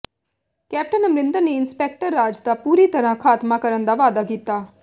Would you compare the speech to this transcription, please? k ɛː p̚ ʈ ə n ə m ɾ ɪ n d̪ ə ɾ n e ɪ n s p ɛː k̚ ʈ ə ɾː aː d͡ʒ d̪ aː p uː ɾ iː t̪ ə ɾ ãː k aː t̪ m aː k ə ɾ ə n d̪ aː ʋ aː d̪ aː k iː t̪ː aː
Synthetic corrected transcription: k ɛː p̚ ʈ ə n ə m ɾ ɪ n d̪ ə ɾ n e ɪ n s p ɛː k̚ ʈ ə ɾː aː d͡ʒ d̪ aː p uː ɾ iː t̪ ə ɾ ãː kʰ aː t̪ m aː k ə ɾ ə n d̪ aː ʋ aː d̪ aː k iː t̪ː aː